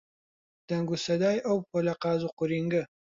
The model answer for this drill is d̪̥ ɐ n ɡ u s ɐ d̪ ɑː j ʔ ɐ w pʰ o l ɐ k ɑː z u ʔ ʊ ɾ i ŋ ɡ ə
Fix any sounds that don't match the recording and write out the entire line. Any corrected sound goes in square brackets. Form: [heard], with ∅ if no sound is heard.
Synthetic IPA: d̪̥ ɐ [ŋ] ɡ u s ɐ d̪ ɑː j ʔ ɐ w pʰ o l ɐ [q] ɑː z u [q] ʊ ɾ i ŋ ɡ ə